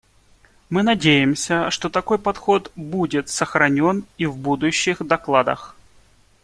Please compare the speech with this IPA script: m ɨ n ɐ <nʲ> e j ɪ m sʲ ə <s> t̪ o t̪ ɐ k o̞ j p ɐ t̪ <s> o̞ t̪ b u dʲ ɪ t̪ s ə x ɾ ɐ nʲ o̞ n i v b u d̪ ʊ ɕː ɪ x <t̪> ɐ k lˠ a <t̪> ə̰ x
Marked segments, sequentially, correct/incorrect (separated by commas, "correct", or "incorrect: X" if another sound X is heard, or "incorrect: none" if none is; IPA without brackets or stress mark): incorrect: dʲ, incorrect: ʂ, incorrect: x, incorrect: d̪, incorrect: d̪